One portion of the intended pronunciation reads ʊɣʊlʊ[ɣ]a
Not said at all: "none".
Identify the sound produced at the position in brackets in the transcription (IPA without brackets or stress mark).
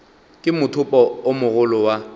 w